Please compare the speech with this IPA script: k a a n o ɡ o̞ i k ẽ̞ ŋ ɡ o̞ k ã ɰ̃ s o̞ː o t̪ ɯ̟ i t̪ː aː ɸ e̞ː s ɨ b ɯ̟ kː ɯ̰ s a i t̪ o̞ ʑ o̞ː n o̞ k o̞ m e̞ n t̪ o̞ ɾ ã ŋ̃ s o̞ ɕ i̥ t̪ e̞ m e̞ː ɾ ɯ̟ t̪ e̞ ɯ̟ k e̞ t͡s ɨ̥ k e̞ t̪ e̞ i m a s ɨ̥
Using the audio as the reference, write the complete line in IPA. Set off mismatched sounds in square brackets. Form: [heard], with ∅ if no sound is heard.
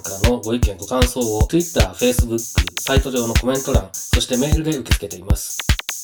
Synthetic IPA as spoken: k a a n o ɡ o̞ i k ẽ̞ ŋ ɡ o̞ k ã ɰ̃ s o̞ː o t̪ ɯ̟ i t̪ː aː ɸ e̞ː s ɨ b ɯ̟ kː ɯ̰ s a i t̪ o̞ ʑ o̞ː n o̞ k o̞ m [ẽ̞] n t̪ o̞ ɾ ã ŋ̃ s o̞ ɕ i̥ t̪ e̞ m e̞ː ɾ ɯ̟ [d̪] e̞ ɯ̟ k e̞ t͡s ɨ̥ k e̞ t̪ e̞ i m a s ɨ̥